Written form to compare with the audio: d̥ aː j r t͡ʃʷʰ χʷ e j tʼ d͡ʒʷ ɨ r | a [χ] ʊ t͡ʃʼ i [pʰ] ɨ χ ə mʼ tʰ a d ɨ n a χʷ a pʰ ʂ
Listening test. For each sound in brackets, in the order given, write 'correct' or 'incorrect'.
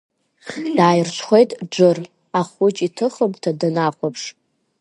correct, incorrect: tʰ

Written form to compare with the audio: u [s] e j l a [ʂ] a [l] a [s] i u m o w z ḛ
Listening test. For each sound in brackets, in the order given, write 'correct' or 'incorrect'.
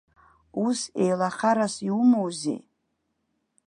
correct, incorrect: χ, incorrect: ɾ, correct

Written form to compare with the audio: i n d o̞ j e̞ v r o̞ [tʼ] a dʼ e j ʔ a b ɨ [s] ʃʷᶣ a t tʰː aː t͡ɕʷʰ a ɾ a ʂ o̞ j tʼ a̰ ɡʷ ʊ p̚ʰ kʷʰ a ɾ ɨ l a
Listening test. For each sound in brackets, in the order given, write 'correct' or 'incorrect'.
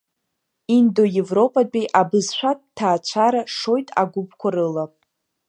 incorrect: pʼ, incorrect: z

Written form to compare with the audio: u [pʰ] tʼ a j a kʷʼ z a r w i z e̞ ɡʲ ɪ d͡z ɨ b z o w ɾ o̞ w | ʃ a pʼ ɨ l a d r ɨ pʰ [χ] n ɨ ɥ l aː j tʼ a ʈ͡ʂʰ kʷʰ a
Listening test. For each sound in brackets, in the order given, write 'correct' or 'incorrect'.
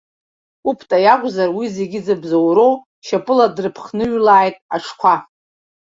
correct, correct

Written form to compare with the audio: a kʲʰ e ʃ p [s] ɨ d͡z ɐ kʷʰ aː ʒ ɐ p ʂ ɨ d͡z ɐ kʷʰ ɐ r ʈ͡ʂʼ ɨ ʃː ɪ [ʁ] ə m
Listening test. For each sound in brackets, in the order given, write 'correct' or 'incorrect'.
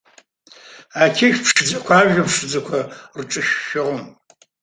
incorrect: ʂ, correct

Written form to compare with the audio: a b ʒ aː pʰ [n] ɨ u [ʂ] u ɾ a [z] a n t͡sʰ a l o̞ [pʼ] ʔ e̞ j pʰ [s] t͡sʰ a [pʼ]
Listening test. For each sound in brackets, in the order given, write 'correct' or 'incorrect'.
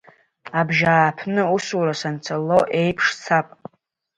correct, incorrect: s, incorrect: s, incorrect: none, incorrect: ʂ, correct

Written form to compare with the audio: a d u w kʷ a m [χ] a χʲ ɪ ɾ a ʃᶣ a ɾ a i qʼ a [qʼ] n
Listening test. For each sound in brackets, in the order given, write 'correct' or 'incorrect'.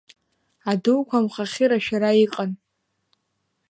correct, incorrect: none

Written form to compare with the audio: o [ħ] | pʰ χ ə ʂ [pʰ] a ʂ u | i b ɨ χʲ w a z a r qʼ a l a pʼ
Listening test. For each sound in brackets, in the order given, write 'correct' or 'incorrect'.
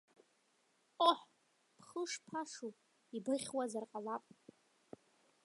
correct, correct

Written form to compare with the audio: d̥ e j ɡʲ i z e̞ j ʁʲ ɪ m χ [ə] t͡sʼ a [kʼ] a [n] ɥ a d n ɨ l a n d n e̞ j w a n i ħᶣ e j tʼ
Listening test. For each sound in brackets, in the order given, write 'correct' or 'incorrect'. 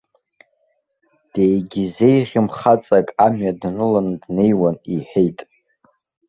incorrect: a, correct, incorrect: m

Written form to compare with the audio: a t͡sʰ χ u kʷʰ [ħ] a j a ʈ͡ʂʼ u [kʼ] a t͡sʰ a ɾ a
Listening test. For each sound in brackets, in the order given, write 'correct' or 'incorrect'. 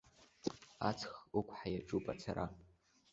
correct, incorrect: pʼ

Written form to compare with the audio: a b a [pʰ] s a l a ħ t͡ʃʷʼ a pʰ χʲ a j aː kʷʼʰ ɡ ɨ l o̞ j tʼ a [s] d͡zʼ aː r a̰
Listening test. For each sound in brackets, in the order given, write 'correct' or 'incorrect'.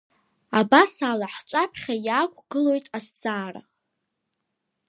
incorrect: none, correct

